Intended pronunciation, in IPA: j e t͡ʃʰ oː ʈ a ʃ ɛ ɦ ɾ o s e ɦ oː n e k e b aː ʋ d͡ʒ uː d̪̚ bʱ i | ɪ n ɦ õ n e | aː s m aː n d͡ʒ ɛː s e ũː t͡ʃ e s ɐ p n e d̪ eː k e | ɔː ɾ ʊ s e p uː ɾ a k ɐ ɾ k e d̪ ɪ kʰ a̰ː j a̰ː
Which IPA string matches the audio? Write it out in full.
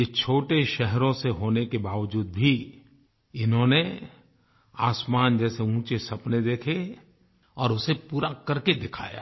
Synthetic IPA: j e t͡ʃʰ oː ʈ e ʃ ɛ ɦ ɾ õ s e ɦ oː n e k e b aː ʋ d͡ʒ uː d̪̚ bʱ i | ɪ n ɦ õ n e | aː s m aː n d͡ʒ ɛː s e ũː t͡ʃ e s ɐ p n e d̪ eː kʰ e | ɔː ɾ ʊ s e p uː ɾ a k ɐ ɾ k e d̪ ɪ kʰ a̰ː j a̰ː